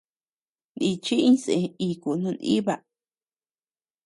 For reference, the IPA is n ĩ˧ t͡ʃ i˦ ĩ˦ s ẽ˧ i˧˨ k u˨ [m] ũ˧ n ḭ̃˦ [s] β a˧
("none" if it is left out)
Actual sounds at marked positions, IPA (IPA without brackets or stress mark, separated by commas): n, none